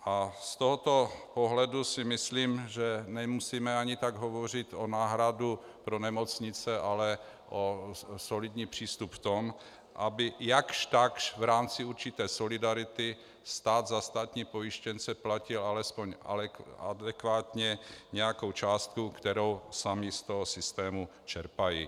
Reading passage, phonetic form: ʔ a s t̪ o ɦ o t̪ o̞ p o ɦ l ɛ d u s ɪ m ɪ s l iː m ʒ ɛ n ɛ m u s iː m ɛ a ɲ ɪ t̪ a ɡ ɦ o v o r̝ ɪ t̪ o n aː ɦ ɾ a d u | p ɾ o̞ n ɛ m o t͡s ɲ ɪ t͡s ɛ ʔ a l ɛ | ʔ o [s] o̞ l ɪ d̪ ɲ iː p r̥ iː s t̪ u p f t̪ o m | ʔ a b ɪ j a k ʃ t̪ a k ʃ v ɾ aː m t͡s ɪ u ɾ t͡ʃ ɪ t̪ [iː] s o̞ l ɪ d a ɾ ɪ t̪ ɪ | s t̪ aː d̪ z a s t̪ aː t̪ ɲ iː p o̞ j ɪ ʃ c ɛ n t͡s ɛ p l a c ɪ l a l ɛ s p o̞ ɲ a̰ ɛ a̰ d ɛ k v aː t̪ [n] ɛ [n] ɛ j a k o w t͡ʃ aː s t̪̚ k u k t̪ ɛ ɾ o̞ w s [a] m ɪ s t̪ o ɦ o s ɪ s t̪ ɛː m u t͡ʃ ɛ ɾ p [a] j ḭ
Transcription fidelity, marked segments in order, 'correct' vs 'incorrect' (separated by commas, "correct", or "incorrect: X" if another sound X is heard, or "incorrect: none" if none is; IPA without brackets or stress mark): correct, incorrect: ɛː, incorrect: ɲ, incorrect: ɲ, correct, correct